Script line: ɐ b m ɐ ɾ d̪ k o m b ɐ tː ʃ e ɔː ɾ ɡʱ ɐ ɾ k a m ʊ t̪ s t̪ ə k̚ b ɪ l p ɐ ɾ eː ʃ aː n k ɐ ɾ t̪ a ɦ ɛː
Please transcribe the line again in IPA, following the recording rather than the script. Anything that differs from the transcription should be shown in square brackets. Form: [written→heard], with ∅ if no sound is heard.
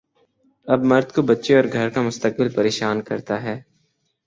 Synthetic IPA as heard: ɐ b m ɐ ɾ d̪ k o [m→∅] b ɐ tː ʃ e ɔː ɾ ɡʱ ɐ ɾ k a m ʊ [t̪→∅] s t̪ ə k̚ b ɪ l p ɐ ɾ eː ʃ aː n k ɐ ɾ t̪ a ɦ ɛː